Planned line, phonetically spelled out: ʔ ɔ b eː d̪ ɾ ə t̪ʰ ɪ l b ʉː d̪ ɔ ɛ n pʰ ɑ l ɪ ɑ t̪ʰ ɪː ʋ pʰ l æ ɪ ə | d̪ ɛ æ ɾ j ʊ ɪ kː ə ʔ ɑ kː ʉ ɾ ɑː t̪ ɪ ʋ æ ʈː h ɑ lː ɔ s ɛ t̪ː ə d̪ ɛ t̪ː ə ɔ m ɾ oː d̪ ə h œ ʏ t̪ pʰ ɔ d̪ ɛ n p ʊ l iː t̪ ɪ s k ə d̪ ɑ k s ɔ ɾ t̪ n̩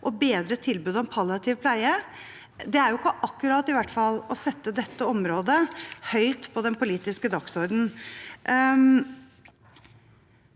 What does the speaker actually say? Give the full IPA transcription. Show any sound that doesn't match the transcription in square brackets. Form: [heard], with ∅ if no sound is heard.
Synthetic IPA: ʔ ɔ b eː d̪ ɾ ə t̪ʰ ɪ l b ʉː d̪ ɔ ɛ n pʰ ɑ l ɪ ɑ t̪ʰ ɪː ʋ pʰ l æ ɪ ə | d̪ ɛ æ ɾ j ʊ ɪ kː ə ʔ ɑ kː ʉ ɾ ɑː t̪ ɪ ʋ æ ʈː [f] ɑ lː ɔ s ɛ t̪ː ə d̪ ɛ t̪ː ə ɔ m ɾ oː d̪ ə h œ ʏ t̪ pʰ ɔ d̪ ɛ n p ʊ l iː t̪ ɪ s k ə d̪ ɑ k s ɔ ɾ [d̪] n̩